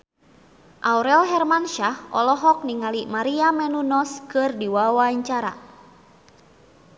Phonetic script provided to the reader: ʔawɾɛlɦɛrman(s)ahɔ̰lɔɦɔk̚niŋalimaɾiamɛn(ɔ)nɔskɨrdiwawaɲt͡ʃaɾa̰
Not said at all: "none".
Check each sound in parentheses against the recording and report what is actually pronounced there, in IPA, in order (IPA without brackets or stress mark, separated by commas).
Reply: ʃ, u